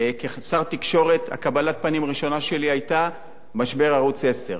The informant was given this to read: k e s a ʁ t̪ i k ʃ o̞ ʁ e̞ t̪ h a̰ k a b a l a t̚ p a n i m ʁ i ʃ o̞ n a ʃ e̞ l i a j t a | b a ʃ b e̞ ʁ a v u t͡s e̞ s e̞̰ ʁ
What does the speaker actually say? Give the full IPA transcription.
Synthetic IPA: k e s a ʁ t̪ i k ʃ o̞ ʁ e̞ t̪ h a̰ k a b a l a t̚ p a n i m ʁ i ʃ o̞ n a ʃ e̞ l i a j t a | m a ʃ b e̞ ʁ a ʁ u t͡s e̞ s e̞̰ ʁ